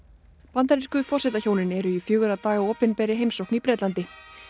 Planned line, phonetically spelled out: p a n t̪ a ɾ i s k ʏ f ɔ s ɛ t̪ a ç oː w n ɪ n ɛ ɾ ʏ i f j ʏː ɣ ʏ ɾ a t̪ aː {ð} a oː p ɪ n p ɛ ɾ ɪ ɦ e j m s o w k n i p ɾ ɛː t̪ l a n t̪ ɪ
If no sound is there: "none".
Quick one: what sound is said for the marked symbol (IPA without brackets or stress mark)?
ɣ